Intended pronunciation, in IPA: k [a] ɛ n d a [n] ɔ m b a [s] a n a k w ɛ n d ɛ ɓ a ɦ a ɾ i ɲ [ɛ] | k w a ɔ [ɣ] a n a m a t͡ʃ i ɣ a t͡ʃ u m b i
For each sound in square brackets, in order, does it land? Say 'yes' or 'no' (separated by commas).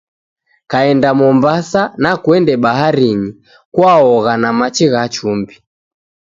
yes, no, yes, no, yes